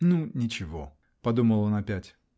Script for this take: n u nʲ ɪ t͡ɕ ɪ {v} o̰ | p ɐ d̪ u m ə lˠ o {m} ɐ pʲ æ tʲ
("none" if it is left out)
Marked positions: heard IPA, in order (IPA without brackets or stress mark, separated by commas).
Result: v, n